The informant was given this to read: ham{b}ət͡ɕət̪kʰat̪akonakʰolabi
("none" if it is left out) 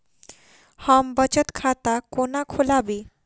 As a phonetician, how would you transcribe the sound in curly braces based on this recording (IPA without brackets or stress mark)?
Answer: b